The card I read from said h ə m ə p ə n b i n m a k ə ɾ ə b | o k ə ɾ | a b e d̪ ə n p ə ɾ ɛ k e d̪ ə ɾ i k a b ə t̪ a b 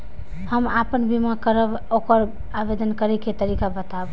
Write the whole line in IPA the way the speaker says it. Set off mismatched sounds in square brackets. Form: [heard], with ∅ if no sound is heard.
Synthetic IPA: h ə m [a] p ə n b i [∅] m a k ə ɾ ə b | o k ə ɾ | a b e d̪ ə n [k] ə ɾ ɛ k e [t̪] ə ɾ i k a b ə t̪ a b